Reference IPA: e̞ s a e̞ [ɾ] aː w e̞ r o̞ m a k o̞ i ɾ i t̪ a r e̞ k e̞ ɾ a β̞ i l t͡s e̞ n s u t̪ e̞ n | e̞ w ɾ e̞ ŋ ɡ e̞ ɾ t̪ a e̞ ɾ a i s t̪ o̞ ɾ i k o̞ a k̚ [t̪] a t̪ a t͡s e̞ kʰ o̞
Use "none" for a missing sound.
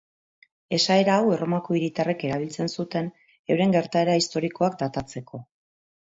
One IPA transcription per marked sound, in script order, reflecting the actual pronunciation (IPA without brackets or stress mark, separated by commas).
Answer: ɾ, d̪